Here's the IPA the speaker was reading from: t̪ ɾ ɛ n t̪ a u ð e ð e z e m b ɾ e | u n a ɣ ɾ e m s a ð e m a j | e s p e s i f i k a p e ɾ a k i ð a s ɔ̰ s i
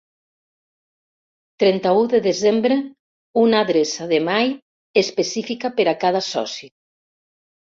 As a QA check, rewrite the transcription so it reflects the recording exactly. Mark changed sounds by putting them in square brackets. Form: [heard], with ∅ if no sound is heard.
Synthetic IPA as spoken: t̪ ɾ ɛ n t̪ a u ð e ð e z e m b ɾ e | u n a [ð] ɾ e [∅] s a ð e m a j | e s p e s i f i k a p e ɾ a k [a] ð a s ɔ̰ s i